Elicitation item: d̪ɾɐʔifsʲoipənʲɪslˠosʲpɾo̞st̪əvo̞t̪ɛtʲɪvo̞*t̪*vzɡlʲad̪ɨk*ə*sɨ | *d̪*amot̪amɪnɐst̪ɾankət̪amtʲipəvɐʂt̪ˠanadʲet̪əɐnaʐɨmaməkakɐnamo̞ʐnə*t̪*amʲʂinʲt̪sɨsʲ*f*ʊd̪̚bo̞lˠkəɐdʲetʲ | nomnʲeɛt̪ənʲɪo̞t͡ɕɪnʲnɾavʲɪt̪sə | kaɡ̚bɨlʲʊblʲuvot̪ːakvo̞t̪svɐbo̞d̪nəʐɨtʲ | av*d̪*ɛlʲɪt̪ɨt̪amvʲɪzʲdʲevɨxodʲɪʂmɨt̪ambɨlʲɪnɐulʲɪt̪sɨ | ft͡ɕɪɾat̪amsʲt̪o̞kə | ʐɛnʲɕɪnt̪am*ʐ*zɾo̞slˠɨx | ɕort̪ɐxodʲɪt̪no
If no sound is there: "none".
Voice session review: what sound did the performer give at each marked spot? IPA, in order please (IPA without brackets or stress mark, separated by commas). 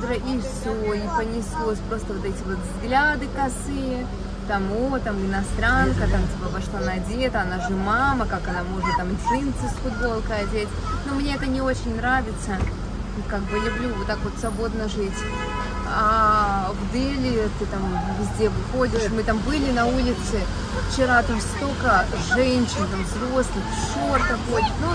t̪, ɐ, t̪, t̪, f, d̪, v